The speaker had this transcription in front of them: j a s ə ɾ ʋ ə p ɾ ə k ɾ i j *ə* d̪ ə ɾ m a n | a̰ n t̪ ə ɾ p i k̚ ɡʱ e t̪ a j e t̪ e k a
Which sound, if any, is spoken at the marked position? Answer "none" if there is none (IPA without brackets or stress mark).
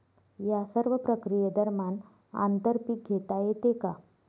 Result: ə